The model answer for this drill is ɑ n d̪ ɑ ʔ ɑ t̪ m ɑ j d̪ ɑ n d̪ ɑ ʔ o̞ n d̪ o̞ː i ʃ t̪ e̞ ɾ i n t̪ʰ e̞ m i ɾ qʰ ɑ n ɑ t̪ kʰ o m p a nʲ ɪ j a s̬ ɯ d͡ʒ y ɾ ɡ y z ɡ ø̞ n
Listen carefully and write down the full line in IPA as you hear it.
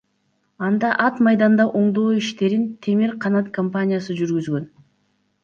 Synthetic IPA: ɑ n d̪ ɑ ʔ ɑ t̪ m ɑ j d̪ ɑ n d̪ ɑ ʔ o̞ ɴ d̪ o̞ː i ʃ t̪ e̞ ɾ i n t̪ʰ e̞ m i ɾ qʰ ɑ n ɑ t̪ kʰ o m p a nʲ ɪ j a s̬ ɯ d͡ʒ y ɾ ɡ y z ɡ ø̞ n